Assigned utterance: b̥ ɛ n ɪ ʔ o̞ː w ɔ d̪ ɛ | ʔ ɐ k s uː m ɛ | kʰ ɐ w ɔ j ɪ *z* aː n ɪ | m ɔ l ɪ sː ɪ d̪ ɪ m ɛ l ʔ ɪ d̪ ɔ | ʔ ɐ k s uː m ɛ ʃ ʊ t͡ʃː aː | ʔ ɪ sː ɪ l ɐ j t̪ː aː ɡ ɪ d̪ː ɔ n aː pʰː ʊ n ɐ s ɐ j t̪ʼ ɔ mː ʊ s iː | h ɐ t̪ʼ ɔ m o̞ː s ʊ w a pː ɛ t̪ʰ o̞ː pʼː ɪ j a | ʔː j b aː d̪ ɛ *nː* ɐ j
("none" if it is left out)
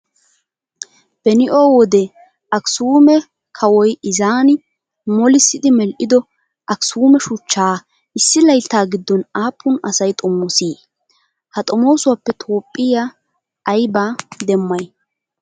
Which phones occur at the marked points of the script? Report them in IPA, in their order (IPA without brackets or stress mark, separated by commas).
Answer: z, mː